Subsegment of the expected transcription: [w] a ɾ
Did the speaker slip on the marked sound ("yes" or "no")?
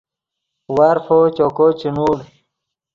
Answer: no